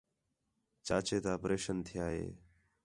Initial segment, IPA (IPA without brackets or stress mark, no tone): t͡ʃ